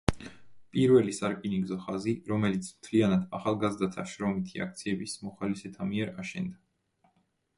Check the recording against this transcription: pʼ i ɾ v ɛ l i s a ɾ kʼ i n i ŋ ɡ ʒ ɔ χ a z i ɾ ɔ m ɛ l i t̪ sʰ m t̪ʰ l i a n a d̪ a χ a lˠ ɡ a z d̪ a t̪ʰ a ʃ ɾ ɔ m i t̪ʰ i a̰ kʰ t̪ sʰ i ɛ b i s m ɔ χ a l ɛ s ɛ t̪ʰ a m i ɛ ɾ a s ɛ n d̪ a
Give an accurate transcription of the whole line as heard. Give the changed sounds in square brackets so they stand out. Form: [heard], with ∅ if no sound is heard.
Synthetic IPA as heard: pʼ i ɾ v ɛ l i s a ɾ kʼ i n i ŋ ɡ [z] ɔ χ a z i ɾ ɔ m ɛ l i t̪ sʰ m t̪ʰ l i a n a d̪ a χ a lˠ ɡ a z d̪ a t̪ʰ a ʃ ɾ ɔ m i t̪ʰ i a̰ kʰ t̪ sʰ i ɛ b i s m ɔ χ a l [i] s ɛ t̪ʰ a m i ɛ ɾ a [ʃ] ɛ n d̪ a